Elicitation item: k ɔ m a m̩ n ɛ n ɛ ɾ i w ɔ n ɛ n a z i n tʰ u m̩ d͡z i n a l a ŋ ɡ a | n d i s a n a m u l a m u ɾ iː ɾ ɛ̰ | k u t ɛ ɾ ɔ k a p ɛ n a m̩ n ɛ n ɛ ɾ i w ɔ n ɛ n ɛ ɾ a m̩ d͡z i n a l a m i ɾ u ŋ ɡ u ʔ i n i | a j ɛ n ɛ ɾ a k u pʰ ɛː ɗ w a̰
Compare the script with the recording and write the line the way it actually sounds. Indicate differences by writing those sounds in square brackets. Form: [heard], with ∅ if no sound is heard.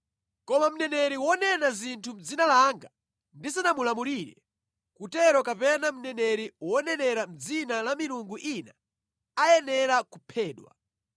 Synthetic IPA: k ɔ m a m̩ n ɛ n ɛ ɾ i w ɔ n ɛ n a z i n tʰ u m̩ d͡z i n a l a ŋ ɡ a | n d i s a n a m u l a m u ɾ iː ɾ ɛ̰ | k u t ɛ ɾ ɔ k a p ɛ n a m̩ n ɛ n ɛ ɾ i w ɔ n ɛ n ɛ ɾ a m̩ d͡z i n a l a m i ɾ u ŋ ɡ u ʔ i n [a] | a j ɛ n ɛ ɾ a k u pʰ ɛː ɗ w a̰